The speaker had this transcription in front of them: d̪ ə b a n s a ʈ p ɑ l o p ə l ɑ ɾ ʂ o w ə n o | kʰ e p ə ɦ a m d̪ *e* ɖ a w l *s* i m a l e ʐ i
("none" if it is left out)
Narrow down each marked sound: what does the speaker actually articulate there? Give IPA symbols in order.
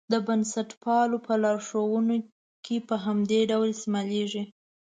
e, s

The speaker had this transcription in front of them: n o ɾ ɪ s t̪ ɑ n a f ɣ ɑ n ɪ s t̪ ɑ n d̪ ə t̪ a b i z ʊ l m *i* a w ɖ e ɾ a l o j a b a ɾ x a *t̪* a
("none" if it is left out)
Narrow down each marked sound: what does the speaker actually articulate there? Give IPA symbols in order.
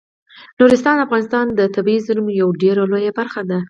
j, d̪

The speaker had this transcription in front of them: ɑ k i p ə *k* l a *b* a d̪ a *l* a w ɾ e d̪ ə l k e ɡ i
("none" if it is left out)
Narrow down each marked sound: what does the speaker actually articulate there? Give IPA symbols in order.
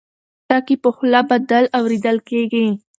x, b, l

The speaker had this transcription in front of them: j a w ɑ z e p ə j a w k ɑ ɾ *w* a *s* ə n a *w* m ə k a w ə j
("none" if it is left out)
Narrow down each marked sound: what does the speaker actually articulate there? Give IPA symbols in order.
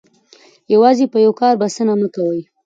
b, s, none

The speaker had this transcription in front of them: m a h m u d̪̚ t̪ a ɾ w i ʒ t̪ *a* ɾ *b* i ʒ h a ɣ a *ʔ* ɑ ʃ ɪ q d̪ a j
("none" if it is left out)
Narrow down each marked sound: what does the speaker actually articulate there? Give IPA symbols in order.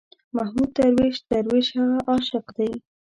a, w, ʔ

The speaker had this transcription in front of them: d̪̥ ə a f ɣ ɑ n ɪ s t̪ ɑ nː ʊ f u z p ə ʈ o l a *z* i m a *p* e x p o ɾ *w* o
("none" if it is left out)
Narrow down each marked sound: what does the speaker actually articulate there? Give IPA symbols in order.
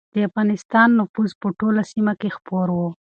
s, k, w

